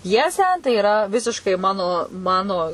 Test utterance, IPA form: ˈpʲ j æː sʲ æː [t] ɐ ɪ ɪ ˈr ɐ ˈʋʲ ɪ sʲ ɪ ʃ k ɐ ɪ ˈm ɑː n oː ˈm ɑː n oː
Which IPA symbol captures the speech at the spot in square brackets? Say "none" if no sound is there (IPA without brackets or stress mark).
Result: t